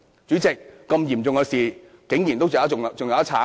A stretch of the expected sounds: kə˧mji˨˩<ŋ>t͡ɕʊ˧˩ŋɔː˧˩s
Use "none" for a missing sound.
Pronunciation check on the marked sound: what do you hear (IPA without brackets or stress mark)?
m